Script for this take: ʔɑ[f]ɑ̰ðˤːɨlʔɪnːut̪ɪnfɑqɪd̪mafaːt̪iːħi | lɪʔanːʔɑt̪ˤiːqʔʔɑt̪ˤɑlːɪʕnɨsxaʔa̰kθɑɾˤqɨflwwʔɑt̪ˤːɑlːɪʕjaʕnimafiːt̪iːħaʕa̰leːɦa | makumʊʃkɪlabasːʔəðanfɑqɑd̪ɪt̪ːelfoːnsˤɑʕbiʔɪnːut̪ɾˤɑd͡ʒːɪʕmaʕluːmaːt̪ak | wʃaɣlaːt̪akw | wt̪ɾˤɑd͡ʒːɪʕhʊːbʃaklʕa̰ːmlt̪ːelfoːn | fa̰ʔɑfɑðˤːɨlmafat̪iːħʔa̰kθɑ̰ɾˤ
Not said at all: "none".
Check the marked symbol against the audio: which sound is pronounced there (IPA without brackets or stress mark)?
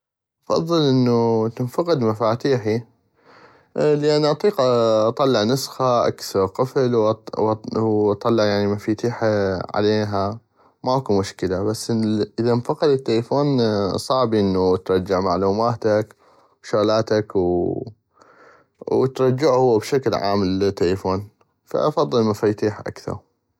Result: f